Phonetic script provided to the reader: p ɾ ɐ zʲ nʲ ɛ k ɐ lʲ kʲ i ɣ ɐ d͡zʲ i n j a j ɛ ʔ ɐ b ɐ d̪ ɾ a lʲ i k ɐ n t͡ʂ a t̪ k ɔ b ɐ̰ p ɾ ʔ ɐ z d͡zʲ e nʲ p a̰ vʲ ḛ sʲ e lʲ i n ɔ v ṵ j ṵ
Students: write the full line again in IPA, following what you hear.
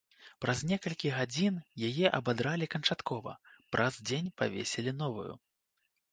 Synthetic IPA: p ɾ ɐ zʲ nʲ ɛ k ɐ lʲ kʲ i ɣ a d͡zʲ i n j a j ɛ ʔ ɐ b a d̪ ɾ a lʲ i k ɐ n t͡ʂ a t̪ k ɔ v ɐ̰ p ɾ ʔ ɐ z d͡zʲ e nʲ p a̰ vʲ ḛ sʲ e lʲ i n ɔ v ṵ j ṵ